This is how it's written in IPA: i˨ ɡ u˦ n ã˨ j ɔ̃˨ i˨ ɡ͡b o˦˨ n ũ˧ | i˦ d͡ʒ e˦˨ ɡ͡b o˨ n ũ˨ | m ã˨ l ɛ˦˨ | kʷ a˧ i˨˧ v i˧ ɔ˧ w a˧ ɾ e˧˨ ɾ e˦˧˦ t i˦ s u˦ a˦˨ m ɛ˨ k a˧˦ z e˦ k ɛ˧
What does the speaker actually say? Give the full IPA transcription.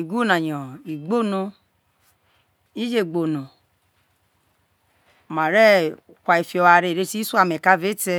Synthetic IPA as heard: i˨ ɡ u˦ n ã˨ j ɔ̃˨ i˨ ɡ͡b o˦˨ n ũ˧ | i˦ d͡ʒ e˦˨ ɡ͡b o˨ n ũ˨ | m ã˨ ɾ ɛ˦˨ | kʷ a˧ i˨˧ f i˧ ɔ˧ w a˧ ɾ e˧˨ ɾ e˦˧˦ t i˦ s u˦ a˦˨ m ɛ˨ k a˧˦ v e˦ t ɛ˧